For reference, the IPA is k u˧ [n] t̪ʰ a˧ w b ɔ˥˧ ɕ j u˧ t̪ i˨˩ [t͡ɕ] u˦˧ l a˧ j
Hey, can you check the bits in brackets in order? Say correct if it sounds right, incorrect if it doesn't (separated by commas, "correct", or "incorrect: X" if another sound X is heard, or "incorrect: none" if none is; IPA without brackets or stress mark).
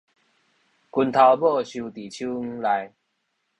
correct, incorrect: t͡ɕʰ